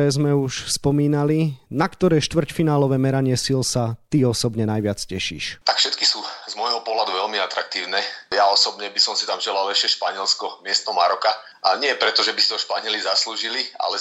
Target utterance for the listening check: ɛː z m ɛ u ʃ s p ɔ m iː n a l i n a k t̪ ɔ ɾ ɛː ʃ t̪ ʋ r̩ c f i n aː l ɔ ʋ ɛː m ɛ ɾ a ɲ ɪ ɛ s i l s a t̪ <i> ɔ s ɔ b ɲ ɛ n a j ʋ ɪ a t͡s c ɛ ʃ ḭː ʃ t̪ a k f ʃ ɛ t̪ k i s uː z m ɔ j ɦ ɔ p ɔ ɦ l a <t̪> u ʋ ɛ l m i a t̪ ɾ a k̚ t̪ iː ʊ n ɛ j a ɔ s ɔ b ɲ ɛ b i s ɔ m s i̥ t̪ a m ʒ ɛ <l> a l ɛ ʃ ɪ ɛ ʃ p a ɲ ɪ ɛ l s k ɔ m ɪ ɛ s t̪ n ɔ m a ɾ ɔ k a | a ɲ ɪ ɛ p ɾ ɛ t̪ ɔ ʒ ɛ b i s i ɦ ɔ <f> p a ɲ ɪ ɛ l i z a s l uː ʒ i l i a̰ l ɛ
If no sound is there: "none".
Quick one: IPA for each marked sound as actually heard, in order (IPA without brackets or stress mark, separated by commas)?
i, d̪, l, ʃ